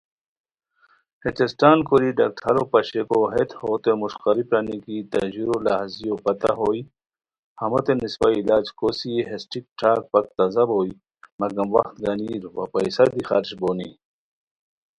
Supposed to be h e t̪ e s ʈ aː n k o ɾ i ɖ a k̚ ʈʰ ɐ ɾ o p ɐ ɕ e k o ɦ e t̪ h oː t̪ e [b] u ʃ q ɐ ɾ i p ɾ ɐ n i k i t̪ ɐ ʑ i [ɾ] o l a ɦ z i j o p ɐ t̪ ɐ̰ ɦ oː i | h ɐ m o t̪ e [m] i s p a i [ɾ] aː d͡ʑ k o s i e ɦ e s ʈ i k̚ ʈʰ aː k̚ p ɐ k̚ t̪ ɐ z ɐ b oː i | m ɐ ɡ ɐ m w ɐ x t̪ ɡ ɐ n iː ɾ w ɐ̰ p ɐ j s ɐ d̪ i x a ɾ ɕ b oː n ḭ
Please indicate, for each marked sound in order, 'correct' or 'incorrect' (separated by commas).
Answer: incorrect, correct, incorrect, incorrect